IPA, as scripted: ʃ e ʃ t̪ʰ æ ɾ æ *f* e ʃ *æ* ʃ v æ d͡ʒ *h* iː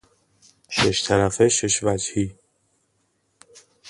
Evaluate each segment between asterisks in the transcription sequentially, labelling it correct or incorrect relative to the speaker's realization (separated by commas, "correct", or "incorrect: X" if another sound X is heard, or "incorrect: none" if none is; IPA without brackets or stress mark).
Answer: correct, incorrect: e, correct